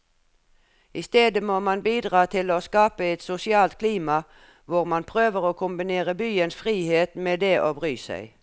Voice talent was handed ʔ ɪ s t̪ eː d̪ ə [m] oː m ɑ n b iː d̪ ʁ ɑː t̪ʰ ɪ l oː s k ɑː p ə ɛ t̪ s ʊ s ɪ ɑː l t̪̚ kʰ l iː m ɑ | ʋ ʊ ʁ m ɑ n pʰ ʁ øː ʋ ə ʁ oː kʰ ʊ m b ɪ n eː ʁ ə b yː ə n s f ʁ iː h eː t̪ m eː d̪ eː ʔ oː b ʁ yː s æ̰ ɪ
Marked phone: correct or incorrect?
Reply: correct